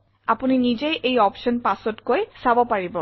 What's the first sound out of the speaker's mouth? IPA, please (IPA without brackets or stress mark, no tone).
a